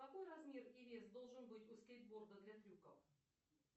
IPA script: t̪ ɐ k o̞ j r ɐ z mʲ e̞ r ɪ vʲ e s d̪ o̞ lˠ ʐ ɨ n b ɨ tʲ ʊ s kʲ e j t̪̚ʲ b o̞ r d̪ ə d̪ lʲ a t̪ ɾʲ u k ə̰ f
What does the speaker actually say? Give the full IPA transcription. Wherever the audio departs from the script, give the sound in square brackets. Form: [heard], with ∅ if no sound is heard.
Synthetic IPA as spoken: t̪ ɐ k o̞ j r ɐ z mʲ e̞ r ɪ vʲ e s d̪ o̞ lˠ ʐ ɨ n b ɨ tʲ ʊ s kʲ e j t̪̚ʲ b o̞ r d̪ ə d̪ lʲ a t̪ ɾʲ u k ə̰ f